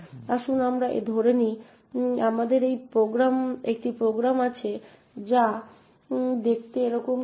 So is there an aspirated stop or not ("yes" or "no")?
yes